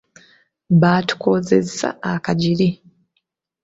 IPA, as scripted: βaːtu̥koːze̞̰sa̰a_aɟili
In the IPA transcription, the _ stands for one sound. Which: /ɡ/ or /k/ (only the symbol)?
k